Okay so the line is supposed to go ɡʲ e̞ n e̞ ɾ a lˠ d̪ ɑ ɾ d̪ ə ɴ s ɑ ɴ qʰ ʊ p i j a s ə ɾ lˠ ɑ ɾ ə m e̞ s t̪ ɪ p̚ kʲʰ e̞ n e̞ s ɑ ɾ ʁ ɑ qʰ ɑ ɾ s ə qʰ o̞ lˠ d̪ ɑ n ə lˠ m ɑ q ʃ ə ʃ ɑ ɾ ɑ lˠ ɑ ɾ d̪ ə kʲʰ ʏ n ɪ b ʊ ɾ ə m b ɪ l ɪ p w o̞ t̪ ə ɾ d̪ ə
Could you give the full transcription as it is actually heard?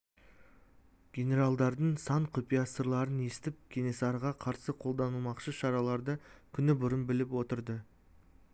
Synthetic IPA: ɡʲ e̞ n e̞ ɾ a lˠ d̪ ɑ ɾ d̪ ə ɴ s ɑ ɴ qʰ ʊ p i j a s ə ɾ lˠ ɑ ɾ ə n e̞ s t̪ ɪ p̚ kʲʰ e̞ n e̞ s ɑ ɾ ʁ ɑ qʰ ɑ ɾ s ə qʰ o̞ lˠ d̪ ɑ n ə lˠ m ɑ q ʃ ə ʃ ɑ ɾ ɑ lˠ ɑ ɾ d̪ ə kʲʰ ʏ n ɪ b ʊ ɾ ə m b ɪ l ɪ p w o̞ t̪ ə ɾ d̪ ə